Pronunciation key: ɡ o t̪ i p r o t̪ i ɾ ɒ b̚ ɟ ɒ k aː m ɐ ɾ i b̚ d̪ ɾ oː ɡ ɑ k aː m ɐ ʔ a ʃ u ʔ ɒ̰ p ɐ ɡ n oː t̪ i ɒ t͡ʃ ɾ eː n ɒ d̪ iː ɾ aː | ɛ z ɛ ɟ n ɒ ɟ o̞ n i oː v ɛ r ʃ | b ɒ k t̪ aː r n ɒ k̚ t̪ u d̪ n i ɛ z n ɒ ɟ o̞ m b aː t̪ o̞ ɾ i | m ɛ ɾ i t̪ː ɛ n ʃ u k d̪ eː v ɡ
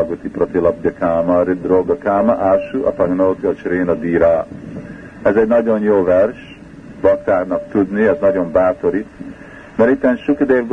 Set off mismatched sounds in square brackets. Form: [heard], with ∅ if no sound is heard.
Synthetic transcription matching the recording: ɡ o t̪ i p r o t̪ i [l] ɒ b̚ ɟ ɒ k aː m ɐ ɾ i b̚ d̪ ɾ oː ɡ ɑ k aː m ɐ ʔ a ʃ u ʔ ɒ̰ p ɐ ɡ n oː t̪ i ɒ t͡ʃ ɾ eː n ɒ d̪ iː ɾ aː | ɛ z ɛ ɟ n ɒ ɟ o̞ n [j] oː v ɛ r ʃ | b ɒ k t̪ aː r n ɒ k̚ t̪ u d̪ n i ɛ z n ɒ ɟ o̞ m b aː t̪ o̞ ɾ i | m ɛ ɾ i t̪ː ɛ n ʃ u k d̪ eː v ɡ